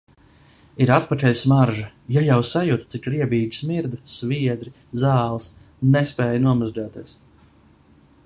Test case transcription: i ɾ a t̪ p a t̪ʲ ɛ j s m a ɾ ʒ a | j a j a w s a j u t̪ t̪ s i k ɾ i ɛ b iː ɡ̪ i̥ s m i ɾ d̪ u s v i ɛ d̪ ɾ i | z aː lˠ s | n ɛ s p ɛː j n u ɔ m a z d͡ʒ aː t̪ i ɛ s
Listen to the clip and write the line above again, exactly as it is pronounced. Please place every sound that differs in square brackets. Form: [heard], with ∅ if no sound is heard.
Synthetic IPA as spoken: i ɾ a t̪ p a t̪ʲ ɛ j s m a ɾ ʒ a | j a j a w s a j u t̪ t̪ s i k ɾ i ɛ b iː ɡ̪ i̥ s m i ɾ d̪ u s v i ɛ d̪ ɾ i | z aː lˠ s | n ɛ s p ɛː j n u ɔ m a z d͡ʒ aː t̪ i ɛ s